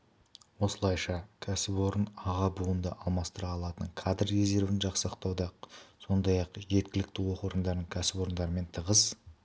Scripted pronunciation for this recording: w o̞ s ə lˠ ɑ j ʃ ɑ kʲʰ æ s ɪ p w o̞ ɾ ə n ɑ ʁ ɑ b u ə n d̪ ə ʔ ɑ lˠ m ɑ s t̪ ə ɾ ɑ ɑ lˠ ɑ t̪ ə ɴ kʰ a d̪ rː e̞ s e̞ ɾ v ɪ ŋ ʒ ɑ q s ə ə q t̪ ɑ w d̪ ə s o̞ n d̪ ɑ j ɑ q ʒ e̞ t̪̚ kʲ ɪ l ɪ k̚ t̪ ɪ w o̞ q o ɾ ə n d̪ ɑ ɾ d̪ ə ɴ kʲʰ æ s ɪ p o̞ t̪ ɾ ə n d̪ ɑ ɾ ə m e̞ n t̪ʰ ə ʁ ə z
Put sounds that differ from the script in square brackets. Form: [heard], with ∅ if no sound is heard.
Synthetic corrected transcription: w o̞ s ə lˠ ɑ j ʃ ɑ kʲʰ æ s ɪ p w o̞ ɾ ə n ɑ ʁ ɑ b u ə n d̪ ə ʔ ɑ lˠ m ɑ s t̪ ə ɾ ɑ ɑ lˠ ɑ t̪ ə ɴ kʰ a d̪ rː e̞ [z] e̞ ɾ v ɪ [n] ʒ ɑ q s ə ə q t̪ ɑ w d̪ [ɑ] s o̞ n d̪ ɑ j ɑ q ʒ e̞ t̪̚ kʲ ɪ l ɪ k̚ t̪ ɪ w o̞ q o ɾ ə n d̪ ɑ ɾ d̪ ə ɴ kʲʰ æ s ɪ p o̞ [∅] ɾ ə n d̪ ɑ ɾ ə m e̞ n t̪ʰ ə ʁ ə z